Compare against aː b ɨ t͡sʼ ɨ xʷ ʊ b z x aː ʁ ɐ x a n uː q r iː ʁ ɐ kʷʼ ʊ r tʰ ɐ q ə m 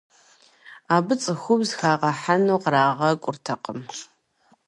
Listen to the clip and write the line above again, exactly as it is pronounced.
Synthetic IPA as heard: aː b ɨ t͡sʼ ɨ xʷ ʊ b z x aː ʁ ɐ ħ a n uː q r aː ʁ ɐ kʷʼ ʊ r tʰ ɐ q ə m